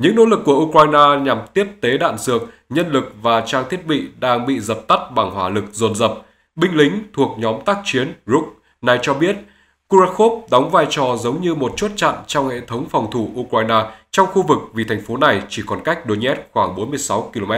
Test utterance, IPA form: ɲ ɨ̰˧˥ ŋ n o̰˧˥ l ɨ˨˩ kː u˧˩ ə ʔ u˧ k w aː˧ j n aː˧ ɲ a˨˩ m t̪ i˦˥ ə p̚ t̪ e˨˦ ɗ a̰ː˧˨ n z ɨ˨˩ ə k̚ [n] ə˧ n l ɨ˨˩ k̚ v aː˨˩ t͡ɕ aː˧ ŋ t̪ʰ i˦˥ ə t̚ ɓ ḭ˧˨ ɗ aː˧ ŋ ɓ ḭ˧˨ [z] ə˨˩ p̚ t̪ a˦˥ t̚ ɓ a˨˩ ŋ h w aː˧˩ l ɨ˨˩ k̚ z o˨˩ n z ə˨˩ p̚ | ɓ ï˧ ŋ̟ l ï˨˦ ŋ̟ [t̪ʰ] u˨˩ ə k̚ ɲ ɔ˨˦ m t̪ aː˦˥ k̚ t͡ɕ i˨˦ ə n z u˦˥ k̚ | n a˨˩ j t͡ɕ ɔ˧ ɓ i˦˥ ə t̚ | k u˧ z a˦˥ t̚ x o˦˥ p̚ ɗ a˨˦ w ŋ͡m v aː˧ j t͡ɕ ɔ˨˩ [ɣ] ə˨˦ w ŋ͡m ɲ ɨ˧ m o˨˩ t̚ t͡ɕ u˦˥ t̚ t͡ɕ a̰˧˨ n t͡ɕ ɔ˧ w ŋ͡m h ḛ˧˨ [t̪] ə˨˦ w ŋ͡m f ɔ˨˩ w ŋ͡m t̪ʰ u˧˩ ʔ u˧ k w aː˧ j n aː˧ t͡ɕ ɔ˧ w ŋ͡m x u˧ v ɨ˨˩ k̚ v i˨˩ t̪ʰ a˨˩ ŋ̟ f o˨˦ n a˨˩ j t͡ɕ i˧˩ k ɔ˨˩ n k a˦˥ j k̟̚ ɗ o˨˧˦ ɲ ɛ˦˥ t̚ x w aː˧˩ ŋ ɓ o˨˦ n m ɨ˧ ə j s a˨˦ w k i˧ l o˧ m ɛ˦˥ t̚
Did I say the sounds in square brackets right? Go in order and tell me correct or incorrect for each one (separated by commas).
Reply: incorrect, correct, correct, incorrect, incorrect